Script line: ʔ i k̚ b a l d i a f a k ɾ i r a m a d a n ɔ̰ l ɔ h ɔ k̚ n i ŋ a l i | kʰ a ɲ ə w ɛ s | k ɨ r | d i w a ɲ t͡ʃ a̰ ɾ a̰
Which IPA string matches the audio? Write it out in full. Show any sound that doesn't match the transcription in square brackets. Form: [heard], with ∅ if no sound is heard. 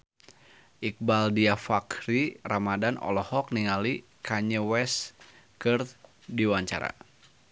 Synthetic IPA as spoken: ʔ i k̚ b a l d i a f a k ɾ i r a m a d a n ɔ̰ l ɔ h ɔ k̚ n i ŋ a l i | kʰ a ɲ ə w ɛ s | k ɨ r | d i w a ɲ t͡ʃ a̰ ɾ a̰